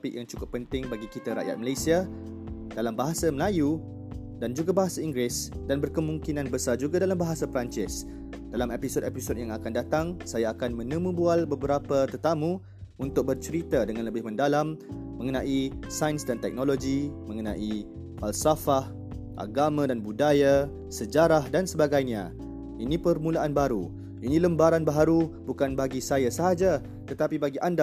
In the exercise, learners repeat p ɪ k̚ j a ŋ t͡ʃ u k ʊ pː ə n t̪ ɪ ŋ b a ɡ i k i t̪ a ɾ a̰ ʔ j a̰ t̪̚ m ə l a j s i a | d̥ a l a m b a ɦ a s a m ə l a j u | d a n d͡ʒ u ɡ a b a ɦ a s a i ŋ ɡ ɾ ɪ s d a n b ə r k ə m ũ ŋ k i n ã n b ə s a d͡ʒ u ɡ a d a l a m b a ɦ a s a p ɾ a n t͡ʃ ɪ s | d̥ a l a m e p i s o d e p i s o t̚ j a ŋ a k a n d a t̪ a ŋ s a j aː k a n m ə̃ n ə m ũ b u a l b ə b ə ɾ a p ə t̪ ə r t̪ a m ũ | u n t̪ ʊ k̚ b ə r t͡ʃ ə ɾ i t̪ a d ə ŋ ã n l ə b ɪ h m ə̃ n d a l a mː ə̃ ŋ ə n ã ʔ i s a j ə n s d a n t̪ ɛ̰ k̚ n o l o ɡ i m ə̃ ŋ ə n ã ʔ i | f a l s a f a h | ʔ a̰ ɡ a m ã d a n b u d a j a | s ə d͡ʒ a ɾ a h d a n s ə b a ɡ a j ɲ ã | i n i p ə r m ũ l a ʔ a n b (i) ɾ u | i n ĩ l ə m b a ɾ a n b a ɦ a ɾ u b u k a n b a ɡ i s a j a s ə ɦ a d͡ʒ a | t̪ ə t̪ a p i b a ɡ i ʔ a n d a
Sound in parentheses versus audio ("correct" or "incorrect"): incorrect